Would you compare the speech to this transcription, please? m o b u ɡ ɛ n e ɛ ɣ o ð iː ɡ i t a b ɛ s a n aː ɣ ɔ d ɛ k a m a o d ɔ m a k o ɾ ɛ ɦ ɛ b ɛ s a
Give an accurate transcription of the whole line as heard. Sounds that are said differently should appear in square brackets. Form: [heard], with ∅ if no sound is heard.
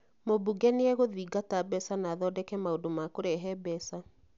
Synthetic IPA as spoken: m o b u ɡ ɛ n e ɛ ɣ o ð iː ɡ [a] t a b ɛ s a n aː [ð] ɔ d ɛ k [ɛ] m a o d [o] m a k o ɾ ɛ ɦ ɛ b ɛ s a